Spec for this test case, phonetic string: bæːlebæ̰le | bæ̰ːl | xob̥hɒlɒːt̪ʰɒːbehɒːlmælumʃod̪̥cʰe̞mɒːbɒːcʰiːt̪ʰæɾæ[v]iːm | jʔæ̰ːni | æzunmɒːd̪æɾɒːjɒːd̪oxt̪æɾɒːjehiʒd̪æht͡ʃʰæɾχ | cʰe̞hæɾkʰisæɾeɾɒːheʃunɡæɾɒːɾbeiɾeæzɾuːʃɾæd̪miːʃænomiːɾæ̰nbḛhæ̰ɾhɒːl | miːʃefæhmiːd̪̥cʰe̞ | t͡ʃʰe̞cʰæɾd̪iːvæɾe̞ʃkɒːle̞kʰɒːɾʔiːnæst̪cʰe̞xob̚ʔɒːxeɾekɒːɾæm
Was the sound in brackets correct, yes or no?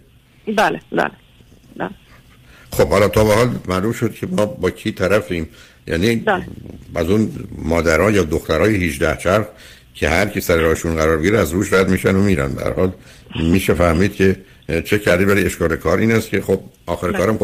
no